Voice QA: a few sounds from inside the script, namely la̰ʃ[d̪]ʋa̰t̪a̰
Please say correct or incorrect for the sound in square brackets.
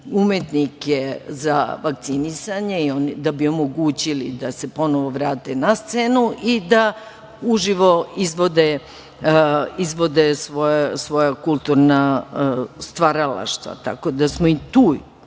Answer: incorrect